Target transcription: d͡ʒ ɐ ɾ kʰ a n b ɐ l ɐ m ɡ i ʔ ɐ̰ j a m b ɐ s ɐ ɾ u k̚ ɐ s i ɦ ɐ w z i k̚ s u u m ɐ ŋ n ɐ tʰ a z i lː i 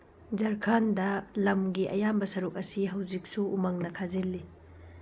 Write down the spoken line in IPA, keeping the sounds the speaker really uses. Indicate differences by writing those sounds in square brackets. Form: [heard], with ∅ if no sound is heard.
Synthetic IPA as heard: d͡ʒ ɐ ɾ kʰ a n [d] ɐ l ɐ m ɡ i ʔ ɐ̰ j a m b ɐ s ɐ ɾ u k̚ ɐ s i ɦ ɐ w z i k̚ s u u m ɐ ŋ n ɐ [kʰ] a z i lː i